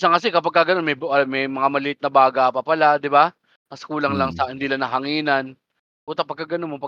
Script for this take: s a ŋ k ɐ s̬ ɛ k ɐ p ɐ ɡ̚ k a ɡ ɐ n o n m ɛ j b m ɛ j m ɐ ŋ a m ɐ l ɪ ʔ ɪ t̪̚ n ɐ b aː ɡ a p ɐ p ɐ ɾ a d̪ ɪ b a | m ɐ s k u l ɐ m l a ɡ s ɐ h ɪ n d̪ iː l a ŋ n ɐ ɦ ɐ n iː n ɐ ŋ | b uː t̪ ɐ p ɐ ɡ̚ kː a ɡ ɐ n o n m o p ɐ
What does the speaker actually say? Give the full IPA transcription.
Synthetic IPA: s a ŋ k ɐ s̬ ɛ k ɐ p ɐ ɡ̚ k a ɡ ɐ n o n m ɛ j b m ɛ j m ɐ ŋ a m ɐ l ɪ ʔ ɪ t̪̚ n ɐ b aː ɡ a p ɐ p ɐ l a d̪ ɪ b a | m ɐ s k uː l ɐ ŋ l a ŋ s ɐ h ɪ n d̪ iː l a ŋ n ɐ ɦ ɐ ŋ iː n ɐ n | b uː t̪ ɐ p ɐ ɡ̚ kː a ɡ ɐ n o n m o p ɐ